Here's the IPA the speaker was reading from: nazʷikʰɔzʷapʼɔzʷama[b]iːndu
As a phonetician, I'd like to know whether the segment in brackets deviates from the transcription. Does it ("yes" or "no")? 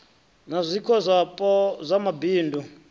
no